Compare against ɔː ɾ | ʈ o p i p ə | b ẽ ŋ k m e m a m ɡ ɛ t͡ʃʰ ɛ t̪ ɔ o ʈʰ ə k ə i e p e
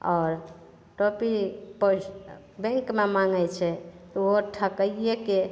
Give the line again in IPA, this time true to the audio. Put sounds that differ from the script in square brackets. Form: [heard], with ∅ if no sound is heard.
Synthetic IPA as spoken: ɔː ɾ | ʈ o p i p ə | b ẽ ŋ k m e m a [ŋ] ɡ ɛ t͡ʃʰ ɛ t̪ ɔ o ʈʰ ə k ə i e [k] e